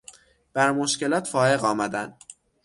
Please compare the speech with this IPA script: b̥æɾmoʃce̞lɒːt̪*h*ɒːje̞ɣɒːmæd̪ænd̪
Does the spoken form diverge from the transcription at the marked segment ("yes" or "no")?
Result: yes